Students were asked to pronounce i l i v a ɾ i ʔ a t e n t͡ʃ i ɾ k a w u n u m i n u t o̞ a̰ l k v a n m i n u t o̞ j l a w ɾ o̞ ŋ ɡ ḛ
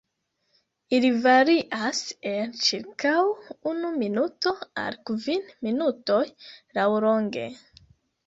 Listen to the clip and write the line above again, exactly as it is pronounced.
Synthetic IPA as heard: i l i v a ɾ i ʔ a s e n t͡ʃ i ɾ k a w u n u m i n u t o̞ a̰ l k v i n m i n u t o̞ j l a w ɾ o̞ ŋ ɡ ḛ